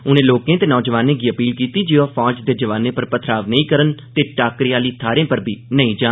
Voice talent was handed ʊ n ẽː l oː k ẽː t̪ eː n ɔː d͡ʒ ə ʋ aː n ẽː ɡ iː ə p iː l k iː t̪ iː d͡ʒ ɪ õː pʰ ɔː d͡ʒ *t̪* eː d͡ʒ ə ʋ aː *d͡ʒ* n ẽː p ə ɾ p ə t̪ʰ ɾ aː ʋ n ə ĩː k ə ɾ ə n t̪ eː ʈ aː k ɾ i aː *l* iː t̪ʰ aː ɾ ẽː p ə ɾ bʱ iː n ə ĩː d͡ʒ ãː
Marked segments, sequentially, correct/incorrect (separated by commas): incorrect, incorrect, correct